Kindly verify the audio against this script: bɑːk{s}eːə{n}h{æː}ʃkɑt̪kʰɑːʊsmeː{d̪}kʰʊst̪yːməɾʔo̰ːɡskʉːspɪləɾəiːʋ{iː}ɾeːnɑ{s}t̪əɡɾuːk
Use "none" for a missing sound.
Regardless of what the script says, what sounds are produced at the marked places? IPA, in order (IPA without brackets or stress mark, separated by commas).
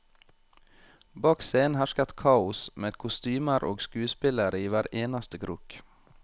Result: s, n, æ, d̪, æː, s